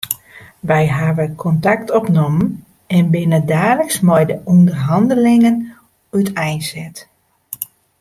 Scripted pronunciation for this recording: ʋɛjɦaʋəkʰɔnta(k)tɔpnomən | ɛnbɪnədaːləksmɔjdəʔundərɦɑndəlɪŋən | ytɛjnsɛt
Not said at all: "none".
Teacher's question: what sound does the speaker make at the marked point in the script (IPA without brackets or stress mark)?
k